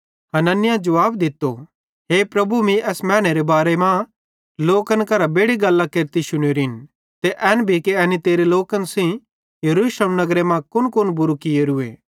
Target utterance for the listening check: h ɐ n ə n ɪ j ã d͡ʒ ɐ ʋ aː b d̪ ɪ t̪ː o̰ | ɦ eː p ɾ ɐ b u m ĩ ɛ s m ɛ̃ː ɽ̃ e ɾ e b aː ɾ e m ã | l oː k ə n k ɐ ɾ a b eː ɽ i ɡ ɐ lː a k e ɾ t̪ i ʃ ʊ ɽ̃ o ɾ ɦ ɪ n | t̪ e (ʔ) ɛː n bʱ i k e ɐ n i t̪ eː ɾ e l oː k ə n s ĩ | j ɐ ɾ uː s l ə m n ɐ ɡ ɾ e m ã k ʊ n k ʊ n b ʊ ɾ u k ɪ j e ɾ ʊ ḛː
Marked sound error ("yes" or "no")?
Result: no